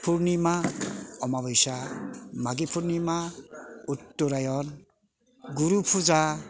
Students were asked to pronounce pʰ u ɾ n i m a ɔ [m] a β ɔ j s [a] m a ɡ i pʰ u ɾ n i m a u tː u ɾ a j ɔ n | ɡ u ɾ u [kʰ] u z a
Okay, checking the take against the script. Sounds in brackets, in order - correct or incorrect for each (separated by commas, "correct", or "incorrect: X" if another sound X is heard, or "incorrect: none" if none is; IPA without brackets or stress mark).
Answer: correct, correct, incorrect: pʰ